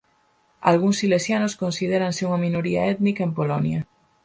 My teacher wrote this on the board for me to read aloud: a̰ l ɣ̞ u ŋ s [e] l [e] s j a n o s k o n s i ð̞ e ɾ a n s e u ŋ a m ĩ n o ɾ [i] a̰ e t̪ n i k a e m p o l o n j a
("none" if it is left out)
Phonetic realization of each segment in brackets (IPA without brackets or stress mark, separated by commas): i, e, i